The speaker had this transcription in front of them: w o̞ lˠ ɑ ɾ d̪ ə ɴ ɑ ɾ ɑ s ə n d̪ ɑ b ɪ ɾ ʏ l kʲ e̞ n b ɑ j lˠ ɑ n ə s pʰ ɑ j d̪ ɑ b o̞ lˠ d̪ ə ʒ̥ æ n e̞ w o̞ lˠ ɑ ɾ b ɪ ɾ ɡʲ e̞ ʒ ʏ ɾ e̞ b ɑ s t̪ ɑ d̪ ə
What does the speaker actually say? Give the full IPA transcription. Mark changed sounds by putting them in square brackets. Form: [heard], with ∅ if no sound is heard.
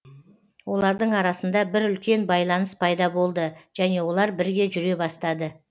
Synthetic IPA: w o̞ lˠ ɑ ɾ d̪ ə ɴ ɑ ɾ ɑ s ə n d̪ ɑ b ɪ ɾ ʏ l kʲ e̞ n b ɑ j lˠ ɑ n ə s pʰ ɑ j d̪ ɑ b o̞ lˠ d̪ ə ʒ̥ æ n e̞ w o̞ lˠ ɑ ɾ b ɪ ɾ ɡʲ e̞ ʒ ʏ ɾ e̞ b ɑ s t̪ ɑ d̪ ə